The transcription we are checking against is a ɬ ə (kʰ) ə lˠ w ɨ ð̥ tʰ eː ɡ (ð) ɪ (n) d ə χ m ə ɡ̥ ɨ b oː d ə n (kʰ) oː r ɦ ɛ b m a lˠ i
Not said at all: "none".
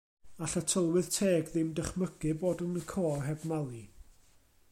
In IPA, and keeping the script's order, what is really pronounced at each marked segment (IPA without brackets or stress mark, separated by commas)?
tʰ, ð, m, kʰ